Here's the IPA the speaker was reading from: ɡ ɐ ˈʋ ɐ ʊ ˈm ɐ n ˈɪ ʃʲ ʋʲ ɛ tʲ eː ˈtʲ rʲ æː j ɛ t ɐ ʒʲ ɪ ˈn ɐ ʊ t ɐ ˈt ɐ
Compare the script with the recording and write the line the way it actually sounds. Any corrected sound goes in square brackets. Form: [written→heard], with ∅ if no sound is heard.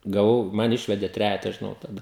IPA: ɡ ɐ ˈʋ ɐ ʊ ˈm ɐ n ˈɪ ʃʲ ʋʲ ɛ [tʲ→dʲ] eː ˈtʲ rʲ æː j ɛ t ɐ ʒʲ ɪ ˈn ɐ ʊ t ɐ [ˈt→ˈd] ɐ